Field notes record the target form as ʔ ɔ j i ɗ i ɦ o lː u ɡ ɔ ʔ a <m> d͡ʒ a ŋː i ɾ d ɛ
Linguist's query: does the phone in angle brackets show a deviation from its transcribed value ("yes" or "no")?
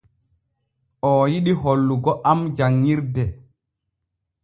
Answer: no